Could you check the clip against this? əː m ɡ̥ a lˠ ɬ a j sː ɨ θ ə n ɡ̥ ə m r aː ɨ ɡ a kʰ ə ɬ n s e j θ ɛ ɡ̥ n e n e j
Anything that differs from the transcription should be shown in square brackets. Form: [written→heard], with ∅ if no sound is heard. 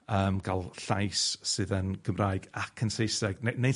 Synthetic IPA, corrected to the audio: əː m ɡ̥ a lˠ ɬ a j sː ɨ [θ→ð] ə n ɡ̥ ə m r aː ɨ ɡ a kʰ ə [ɬ→∅] n s e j [θ→s] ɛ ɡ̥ n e n e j